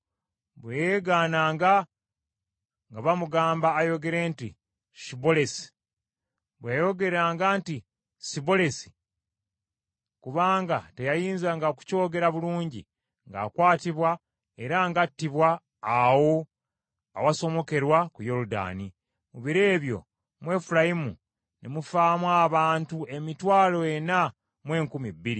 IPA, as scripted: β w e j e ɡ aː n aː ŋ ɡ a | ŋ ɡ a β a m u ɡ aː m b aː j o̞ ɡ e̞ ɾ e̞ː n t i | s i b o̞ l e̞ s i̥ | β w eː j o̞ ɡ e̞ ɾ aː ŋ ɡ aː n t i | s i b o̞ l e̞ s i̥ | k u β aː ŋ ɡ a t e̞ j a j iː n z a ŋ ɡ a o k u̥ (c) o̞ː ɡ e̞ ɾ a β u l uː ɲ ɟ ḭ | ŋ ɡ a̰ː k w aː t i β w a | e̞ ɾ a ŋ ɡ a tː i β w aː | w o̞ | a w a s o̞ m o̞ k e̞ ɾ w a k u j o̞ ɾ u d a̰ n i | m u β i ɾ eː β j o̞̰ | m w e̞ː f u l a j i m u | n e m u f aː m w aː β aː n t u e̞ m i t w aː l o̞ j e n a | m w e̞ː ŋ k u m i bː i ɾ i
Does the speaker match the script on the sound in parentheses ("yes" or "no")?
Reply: yes